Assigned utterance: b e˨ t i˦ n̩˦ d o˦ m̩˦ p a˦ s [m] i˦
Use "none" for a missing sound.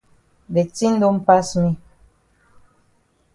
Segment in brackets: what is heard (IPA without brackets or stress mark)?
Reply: m